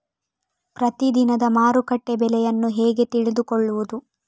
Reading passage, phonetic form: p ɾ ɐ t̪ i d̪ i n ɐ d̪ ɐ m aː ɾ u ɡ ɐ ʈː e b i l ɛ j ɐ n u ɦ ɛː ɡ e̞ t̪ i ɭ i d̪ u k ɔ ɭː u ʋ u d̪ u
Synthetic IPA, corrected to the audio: p ɾ ɐ t̪ i d̪ i n ɐ d̪ ɐ m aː ɾ u k ɐ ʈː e b ɛ l ɛ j ɐ nː u ɦ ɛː ɡ e̞ t̪ i ɭ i d̪ u k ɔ ɭː u ʋ u d̪ u